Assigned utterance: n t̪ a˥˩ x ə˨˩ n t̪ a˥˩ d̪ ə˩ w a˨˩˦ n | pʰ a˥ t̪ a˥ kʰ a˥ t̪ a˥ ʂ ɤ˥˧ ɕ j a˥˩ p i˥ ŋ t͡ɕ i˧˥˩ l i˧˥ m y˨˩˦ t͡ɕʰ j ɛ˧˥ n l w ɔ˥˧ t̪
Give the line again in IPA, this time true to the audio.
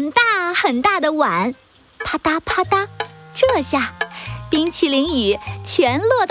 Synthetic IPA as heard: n t̪ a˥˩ x ə˨˩ n t̪ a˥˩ d̪ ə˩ w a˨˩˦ n | pʰ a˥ t̪ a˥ pʰ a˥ t̪ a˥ ʈ͡ʂ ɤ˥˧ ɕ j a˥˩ p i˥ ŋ t͡ɕʰ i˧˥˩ l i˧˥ ŋ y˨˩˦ t͡ɕʰ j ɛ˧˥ n l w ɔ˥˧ t̪